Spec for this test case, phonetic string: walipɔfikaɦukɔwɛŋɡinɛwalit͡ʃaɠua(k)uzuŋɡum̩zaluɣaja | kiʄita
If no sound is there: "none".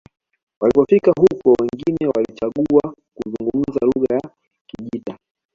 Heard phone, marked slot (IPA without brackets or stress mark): k